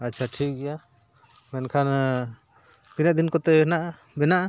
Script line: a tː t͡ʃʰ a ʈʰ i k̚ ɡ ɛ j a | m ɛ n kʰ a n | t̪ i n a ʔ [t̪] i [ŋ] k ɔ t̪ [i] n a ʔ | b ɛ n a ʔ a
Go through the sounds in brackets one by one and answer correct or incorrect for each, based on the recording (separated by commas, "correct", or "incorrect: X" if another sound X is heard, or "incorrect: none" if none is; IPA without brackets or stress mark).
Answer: incorrect: d̪, incorrect: n, incorrect: ɛ